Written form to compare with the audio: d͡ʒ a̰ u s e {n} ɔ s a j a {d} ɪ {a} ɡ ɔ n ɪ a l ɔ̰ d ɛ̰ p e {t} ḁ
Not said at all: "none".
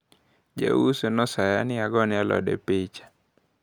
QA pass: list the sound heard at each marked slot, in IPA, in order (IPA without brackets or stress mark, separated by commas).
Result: n, n, a, t͡ʃ